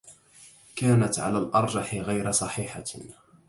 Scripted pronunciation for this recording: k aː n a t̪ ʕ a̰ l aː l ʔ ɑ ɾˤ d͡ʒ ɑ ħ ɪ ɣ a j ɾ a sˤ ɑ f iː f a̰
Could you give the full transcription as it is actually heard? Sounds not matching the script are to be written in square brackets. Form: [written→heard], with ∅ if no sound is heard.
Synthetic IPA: k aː n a t̪ ʕ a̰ l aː l ʔ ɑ ɾˤ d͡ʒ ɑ ħ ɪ ɣ a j ɾ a sˤ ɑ [f→ħ] iː [f→ħ] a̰